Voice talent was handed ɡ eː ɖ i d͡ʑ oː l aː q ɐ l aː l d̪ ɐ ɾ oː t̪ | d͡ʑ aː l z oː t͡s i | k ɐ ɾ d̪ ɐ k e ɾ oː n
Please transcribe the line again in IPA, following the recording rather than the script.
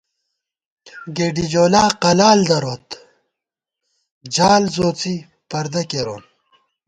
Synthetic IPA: ɡ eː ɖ i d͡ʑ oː l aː q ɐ l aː l d̪ ɐ ɾ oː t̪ | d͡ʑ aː l z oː t͡s i | p ɐ ɾ d̪ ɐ k e ɾ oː n